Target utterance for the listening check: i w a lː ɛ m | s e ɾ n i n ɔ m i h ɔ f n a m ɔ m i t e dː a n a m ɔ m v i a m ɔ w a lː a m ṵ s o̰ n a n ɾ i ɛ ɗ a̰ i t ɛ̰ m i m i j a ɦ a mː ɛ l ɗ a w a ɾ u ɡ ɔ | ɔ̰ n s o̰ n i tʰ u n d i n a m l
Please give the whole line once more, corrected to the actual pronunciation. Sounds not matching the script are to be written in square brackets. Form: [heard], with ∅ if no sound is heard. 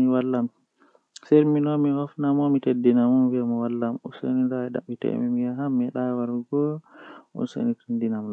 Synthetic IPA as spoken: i w a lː [a] m | s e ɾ [m] i n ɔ m i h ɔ f n a m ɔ m i t e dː [i] n a m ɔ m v i a m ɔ w a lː a m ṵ s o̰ n [i] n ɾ [a] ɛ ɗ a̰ i t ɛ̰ m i m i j a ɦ a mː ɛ [∅] ɗ a w a ɾ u ɡ ɔ | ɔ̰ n s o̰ n i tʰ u n d i n a m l